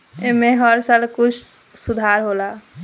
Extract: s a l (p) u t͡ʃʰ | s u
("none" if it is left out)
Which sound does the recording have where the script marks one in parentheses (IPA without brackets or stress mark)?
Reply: k